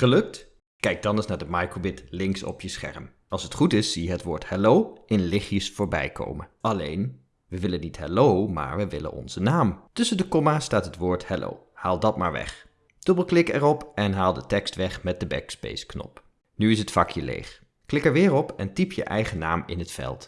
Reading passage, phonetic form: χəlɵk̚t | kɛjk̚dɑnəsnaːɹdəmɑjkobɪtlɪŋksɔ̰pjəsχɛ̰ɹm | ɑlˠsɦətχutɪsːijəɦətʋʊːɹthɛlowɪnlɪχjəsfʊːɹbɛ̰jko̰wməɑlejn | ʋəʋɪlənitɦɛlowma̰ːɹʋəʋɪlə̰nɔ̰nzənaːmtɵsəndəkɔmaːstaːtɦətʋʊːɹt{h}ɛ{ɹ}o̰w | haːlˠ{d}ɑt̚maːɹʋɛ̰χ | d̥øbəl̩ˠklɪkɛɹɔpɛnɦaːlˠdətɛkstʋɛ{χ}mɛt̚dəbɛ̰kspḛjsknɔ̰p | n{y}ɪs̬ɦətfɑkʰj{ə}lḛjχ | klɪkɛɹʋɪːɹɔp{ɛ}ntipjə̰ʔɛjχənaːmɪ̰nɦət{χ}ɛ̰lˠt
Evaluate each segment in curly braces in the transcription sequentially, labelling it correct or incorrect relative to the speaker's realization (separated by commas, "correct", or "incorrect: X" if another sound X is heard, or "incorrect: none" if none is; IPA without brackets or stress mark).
correct, incorrect: l, correct, correct, correct, correct, correct, incorrect: f